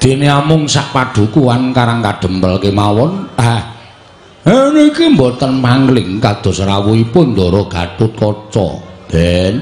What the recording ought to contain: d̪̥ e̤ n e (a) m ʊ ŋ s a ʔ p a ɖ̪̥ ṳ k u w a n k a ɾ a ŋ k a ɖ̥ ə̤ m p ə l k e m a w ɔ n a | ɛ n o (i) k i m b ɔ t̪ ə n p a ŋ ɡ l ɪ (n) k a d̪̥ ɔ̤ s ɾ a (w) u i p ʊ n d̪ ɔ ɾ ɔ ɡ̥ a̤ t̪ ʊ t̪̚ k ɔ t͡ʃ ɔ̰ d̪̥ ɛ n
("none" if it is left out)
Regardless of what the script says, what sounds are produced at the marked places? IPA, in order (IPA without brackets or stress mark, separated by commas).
a, i, ŋ, w